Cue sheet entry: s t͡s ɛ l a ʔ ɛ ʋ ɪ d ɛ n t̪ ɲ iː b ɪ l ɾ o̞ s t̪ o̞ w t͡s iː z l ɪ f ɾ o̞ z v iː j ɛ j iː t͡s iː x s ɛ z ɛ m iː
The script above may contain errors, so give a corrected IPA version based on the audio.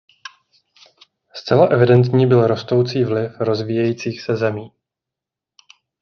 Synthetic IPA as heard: s t͡s ɛ l a ʔ ɛ v ɪ d ɛ n t̪ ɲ iː b ɪ l ɾ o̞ s t̪ o̞ w t͡s iː v l ɪ f ɾ o̞ z v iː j ɛ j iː t͡s iː x s ɛ z ɛ m iː

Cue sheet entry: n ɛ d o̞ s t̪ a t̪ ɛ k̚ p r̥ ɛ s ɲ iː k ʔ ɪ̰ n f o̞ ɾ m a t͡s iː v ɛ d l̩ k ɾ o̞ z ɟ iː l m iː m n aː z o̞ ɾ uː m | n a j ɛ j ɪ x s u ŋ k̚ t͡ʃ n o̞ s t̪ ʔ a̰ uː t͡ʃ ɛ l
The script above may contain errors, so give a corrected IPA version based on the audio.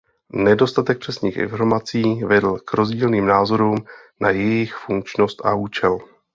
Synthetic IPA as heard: n ɛ d o̞ s t̪ a t̪ ɛ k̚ p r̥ ɛ s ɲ iː x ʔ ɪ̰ n f o̞ ɾ m a t͡s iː v ɛ d l̩ k ɾ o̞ z ɟ iː l n iː m n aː z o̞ ɾ uː m | n a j ɛ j ɪ x f u ŋ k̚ t͡ʃ n o̞ s t̪ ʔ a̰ uː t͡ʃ ɛ l

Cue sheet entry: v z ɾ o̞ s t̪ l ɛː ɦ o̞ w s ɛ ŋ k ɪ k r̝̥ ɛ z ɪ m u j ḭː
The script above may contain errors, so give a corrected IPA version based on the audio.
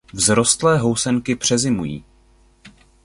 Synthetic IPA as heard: v z ɾ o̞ s t̪ l ɛː ɦ o̞ w s ɛ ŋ k ɪ p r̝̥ ɛ z ɪ m u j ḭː

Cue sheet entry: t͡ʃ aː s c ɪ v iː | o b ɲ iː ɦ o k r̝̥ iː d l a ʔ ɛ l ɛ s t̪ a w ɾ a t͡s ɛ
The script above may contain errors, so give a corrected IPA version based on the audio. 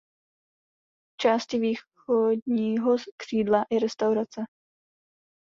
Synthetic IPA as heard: t͡ʃ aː s c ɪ v iː | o d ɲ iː ɦ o k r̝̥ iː d l a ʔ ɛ ɾ ɛ s t̪ a w ɾ a t͡s ɛ

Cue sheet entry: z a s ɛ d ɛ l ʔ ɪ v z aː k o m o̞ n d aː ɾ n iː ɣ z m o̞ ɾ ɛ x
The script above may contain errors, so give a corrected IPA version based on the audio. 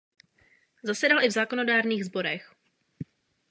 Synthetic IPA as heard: z a s ɛ d a l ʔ ɪ v z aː k o n o̞ d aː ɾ n iː ɣ z b o̞ ɾ ɛ x

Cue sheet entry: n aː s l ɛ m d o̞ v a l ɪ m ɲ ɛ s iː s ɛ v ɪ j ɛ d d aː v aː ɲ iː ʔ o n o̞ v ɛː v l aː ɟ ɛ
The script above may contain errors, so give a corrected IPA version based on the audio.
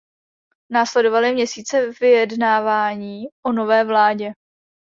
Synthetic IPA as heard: n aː s l ɛ d o̞ v a l ɪ m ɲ ɛ s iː t͡s ɛ v ɪ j ɛ d n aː v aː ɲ iː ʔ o n o̞ v ɛː v l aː ɟ ɛ

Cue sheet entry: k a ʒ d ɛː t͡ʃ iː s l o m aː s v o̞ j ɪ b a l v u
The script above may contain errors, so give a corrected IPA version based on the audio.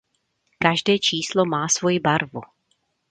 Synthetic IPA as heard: k a ʒ d ɛː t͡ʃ iː s l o m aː s v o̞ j ɪ b a ɾ v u

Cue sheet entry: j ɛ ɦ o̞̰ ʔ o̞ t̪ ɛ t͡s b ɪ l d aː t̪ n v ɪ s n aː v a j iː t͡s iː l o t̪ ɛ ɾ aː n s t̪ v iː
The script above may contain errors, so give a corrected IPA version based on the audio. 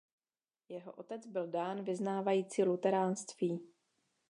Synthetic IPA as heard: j ɛ ɦ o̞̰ ʔ o̞ t̪ ɛ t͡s b ɪ l d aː n v ɪ z n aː v a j iː t͡s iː l u t̪ ɛ ɾ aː n s t̪ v iː

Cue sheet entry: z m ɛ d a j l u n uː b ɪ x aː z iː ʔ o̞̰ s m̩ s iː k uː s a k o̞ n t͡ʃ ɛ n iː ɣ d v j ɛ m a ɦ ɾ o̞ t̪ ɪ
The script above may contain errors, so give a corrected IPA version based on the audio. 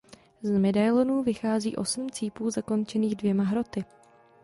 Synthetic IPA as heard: z m ɛ d a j l o n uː v ɪ x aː z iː ʔ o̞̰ s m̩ t͡s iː p uː z a k o̞ n t͡ʃ ɛ n iː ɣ d v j ɛ m a ɦ ɾ o̞ t̪ ɪ

